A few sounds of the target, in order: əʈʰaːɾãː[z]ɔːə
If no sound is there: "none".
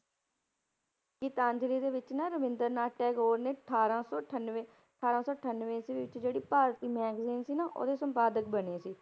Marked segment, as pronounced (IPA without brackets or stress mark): s